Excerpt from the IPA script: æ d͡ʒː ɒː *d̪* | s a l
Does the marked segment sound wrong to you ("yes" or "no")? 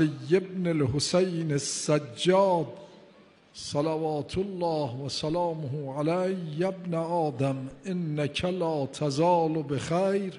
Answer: no